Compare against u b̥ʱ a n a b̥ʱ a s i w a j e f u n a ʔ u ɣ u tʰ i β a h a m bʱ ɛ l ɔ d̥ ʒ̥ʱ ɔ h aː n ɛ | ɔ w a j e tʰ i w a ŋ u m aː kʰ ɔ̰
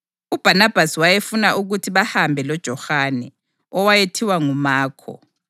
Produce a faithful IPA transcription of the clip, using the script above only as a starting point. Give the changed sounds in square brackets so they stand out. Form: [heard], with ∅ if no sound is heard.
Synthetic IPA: u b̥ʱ a n a b̥ʱ a s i w a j e f u n a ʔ u ɣ u tʰ i β a h a m bʱ ɛ l ɔ d̥ ʒ̥ʱ ɔ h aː n ɛ | ɔ w a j e tʰ i w a ŋ u m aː kʰ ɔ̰